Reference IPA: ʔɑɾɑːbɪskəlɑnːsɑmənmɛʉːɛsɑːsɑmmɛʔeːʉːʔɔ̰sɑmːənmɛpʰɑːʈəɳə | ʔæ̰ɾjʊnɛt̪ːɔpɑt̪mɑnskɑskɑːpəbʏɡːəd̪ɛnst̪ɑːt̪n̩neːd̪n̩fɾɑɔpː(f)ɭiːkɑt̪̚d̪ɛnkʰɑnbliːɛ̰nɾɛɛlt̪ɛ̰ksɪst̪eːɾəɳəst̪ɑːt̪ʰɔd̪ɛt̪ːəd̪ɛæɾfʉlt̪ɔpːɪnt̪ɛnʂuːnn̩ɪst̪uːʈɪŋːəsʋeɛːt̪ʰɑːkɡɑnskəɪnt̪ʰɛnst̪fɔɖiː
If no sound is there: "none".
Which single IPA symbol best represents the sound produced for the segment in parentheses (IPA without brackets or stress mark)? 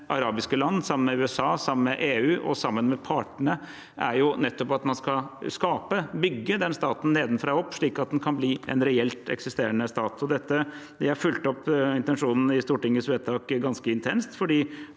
ʂ